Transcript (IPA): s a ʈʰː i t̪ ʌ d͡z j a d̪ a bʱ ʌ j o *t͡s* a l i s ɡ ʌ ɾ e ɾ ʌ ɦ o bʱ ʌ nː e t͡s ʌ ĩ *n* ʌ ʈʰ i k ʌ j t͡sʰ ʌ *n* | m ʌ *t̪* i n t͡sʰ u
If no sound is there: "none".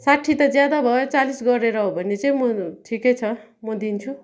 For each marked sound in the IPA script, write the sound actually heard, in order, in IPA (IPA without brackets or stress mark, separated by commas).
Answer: t͡s, m, none, d̪